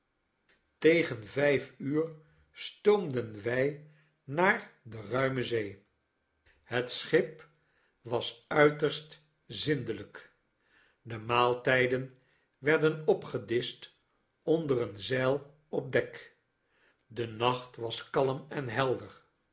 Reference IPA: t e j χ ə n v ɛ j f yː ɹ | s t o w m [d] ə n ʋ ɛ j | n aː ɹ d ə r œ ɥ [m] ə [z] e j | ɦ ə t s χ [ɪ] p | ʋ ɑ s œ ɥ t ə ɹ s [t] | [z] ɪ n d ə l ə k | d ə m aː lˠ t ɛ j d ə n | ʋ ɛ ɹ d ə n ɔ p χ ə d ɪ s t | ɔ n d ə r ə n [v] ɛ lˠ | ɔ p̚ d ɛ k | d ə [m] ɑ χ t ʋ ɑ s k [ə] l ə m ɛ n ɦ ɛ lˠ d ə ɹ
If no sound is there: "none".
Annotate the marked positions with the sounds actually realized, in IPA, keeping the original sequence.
d, m, z, ɪ, t, z, z, n, ɑ

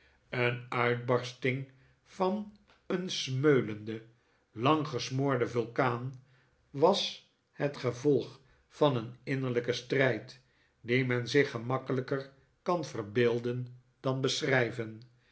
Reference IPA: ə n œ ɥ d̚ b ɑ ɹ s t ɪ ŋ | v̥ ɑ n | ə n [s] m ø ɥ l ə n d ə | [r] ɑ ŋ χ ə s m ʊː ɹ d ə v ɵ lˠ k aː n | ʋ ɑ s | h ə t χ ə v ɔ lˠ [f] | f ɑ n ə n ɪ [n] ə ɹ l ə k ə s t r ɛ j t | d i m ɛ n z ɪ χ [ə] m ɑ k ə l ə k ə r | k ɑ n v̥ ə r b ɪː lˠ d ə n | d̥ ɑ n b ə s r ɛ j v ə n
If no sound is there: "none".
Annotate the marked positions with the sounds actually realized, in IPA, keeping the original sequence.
s, l, χ, n, ə

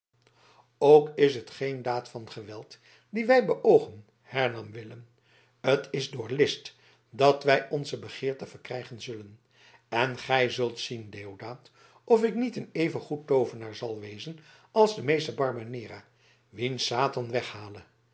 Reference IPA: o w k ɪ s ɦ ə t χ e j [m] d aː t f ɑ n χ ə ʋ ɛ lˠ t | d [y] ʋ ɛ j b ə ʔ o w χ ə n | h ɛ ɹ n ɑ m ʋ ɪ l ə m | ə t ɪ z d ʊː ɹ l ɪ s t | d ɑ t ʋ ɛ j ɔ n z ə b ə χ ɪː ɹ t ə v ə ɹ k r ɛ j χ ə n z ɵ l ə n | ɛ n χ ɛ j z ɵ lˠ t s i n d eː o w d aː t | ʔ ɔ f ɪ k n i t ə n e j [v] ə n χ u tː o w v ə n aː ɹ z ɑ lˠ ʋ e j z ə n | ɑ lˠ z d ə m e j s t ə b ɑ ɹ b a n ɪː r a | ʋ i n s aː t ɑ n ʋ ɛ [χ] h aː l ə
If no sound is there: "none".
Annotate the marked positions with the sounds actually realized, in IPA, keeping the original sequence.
n, i, v, χ

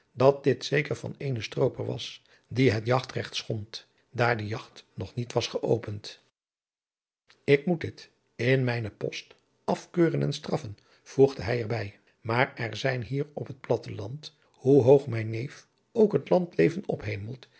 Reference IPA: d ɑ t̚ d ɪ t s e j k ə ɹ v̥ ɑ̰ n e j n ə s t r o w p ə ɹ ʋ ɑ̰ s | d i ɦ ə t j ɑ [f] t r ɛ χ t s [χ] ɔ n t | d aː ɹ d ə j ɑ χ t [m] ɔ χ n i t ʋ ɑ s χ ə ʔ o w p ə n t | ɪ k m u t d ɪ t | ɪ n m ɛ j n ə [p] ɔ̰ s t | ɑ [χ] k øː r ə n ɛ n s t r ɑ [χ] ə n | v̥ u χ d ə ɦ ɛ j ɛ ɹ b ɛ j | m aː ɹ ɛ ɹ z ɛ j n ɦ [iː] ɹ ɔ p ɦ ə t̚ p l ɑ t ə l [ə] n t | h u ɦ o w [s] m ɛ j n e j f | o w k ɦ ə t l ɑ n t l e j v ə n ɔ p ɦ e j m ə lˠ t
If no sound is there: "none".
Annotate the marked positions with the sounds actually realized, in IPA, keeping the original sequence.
χ, χ, n, p, f, f, iː, ɑ, χ

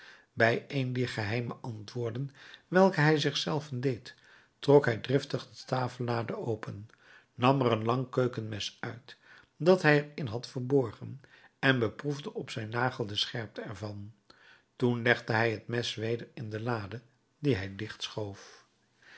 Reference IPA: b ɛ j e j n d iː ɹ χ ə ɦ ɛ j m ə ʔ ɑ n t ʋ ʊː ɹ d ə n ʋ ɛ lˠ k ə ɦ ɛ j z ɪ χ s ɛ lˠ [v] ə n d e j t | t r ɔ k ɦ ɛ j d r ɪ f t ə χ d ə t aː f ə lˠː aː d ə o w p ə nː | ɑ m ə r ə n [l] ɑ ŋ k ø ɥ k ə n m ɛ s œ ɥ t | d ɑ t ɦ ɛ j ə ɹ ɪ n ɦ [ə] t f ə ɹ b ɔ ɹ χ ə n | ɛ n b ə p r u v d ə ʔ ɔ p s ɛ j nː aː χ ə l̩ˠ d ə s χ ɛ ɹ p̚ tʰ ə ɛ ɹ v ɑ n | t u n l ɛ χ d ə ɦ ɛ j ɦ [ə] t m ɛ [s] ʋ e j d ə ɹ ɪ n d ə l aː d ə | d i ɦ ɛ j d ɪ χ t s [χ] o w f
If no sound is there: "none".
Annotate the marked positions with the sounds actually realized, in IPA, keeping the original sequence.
v, l, ɑ, ə, s, χ

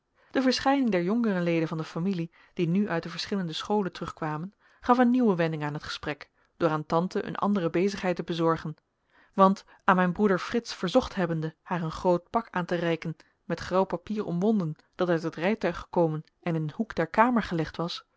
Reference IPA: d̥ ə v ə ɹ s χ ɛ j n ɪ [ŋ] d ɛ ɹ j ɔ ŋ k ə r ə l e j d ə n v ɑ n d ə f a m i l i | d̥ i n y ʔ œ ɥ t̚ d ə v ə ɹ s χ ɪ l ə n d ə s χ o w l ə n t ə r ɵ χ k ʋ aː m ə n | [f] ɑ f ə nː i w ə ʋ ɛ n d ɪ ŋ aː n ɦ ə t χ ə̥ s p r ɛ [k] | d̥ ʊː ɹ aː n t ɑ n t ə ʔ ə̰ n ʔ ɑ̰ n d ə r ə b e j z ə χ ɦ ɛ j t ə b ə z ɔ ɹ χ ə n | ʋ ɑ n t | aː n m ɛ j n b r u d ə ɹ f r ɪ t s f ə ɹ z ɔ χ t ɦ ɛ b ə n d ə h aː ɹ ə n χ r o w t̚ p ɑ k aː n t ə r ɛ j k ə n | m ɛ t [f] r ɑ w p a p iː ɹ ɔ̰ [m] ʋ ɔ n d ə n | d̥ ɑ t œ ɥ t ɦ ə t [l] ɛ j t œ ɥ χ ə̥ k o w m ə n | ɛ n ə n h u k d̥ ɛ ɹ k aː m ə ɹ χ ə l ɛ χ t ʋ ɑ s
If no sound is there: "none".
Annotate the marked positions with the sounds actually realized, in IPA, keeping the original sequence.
ŋ, χ, k, χ, m, r

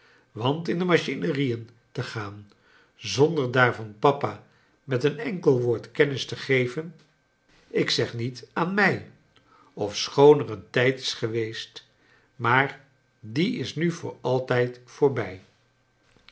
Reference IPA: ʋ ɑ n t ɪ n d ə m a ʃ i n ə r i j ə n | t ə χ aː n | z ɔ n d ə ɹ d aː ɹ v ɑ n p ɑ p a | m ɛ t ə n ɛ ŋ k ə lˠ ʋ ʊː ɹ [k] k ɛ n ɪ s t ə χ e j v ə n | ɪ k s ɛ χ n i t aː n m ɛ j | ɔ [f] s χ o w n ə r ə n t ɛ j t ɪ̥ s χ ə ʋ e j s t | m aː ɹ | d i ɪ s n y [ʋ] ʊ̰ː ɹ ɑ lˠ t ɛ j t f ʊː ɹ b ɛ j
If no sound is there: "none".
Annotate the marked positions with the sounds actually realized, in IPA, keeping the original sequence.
t, f, v

